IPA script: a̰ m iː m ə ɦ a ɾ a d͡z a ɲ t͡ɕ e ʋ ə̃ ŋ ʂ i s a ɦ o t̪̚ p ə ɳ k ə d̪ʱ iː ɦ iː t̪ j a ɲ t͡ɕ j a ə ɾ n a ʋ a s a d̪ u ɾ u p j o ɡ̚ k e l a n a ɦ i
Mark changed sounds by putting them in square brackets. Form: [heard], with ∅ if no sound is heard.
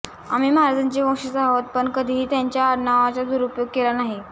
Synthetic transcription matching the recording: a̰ m iː m ə ɦ a ɾ a d͡z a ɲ t͡ɕ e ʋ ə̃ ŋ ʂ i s a ɦ o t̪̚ p ə ɳ k ə d̪ʱ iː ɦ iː t̪ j a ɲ t͡ɕ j a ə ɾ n a ʋ a [t͡s] a d̪ u ɾ u p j o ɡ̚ k e l a n a ɦ i